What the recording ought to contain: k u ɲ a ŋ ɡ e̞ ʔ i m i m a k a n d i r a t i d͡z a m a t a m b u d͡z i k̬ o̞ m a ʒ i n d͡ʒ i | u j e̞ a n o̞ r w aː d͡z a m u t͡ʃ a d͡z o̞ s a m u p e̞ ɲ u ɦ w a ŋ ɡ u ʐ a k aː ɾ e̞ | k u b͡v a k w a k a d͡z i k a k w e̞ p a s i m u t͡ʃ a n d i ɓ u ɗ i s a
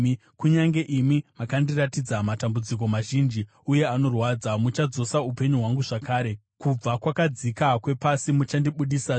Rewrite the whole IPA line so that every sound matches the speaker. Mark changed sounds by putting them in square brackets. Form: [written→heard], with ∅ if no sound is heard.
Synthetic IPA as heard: k u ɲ a ŋ ɡ e̞ ʔ i m i m a k a n d i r a t i d͡z a m a t a m b u d͡z i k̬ o̞ m a ʒ i n d͡ʒ i | u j e̞ a n o̞ r w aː d͡z a m u t͡ʃ a d͡z o̞ s a [m→∅] u p e̞ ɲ u ɦ w a ŋ ɡ u ʐ a k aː ɾ e̞ | k u b͡v a k w a k a d͡z i k a k w e̞ p a s i m u t͡ʃ a n d i ɓ u ɗ i s a

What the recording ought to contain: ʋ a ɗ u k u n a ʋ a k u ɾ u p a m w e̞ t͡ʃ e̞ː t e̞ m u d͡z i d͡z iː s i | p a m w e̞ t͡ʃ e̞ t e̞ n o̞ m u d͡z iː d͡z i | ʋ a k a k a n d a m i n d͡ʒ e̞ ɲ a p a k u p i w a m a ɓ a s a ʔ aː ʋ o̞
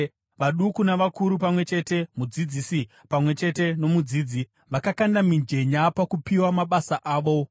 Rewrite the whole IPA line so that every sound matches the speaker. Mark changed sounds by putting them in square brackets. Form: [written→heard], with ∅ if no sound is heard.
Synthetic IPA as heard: ʋ a ɗ u k u n a ʋ a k u ɾ u p a m w e̞ t͡ʃ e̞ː t e̞ m u d͡z i d͡z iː s i | p a m w e̞ t͡ʃ e̞ t e̞ n o̞ m u d͡z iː d͡z i | ʋ a k a k a n d a m i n d͡ʒ e̞ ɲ a p a k u p i w a m a ɓ a s a ʔ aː ʋ o̞

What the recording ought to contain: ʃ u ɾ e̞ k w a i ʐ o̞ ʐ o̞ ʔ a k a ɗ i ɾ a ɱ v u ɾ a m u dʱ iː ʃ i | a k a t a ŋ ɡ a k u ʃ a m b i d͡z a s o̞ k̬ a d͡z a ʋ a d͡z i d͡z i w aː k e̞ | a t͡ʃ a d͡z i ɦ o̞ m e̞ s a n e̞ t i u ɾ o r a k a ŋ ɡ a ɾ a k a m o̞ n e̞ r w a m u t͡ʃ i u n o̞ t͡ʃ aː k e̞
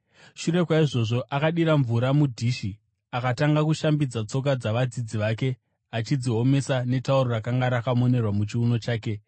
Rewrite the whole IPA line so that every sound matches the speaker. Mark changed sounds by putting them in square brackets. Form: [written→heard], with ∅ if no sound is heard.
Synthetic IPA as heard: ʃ u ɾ e̞ k w a i ʐ o̞ ʐ o̞ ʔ a k a ɗ i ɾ a ɱ v u ɾ a m u dʱ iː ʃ i | a k a t a ŋ ɡ a k u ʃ a m b i d͡z a [s→t͡s] o̞ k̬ a d͡z a ʋ a d͡z i d͡z i [w→ʋ] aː k e̞ | a t͡ʃ [a→i] d͡z i ɦ o̞ m e̞ s a n e̞ t [i→a] u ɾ o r a k a ŋ ɡ a ɾ a k a m o̞ n e̞ r w a m u t͡ʃ i u n o̞ t͡ʃ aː k e̞

